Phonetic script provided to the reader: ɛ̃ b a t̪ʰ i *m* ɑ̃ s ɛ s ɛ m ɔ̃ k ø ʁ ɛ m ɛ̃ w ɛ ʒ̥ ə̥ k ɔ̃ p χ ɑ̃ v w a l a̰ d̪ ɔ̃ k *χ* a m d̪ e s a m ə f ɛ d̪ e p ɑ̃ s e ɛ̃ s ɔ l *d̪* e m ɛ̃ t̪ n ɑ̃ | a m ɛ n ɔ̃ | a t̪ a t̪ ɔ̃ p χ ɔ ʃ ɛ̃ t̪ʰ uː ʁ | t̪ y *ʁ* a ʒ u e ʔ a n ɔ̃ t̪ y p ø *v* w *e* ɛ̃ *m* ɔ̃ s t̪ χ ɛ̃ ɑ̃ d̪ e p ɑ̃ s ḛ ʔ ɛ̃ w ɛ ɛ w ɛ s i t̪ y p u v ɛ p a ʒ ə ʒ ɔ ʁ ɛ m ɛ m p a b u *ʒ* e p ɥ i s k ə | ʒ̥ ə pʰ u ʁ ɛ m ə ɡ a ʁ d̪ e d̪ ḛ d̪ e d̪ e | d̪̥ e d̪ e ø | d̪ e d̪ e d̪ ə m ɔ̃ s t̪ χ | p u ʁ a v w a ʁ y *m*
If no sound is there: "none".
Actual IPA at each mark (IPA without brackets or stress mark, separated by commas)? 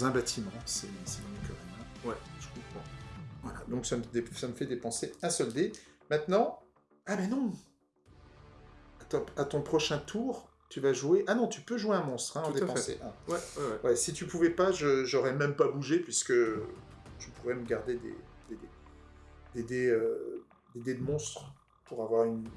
m, s, d̪, v, ʒ, e, m, ʒ, n